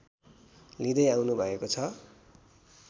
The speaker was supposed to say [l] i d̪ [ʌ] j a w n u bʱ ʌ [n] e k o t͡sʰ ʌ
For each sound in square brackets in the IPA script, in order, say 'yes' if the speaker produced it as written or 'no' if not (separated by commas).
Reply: yes, yes, no